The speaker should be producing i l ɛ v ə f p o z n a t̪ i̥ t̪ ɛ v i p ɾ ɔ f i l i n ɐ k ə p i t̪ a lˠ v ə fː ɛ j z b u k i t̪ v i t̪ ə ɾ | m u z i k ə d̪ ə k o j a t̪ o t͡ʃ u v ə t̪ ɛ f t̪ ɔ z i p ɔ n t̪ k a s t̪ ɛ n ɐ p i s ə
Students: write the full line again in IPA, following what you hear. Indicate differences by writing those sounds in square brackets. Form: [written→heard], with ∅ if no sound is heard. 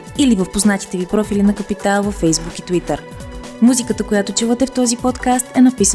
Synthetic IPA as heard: i l [ɛ→i] v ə f p o z n a t̪ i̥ t̪ ɛ v i p ɾ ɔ f i l i n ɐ k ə p i t̪ a lˠ v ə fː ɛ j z b u k i t̪ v i t̪ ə ɾ | m u z i k ə [d̪→t̪] ə k o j a t̪ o t͡ʃ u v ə t̪ ɛ f t̪ ɔ z i p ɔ [n→∅] t̪ k a s t̪ ɛ n ɐ p i s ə